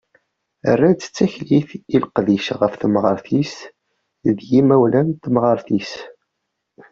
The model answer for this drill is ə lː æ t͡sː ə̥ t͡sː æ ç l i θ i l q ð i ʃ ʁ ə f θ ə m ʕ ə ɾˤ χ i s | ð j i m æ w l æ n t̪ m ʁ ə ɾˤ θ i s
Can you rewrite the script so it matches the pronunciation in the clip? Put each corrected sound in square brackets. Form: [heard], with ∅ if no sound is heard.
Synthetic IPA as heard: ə [rː] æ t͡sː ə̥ t͡sː æ ç l i θ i l q ð i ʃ ʁ ə f θ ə m [ʁ] ə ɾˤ [θ] i s | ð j i m æ w l æ n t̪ m ʁ ə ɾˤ θ i s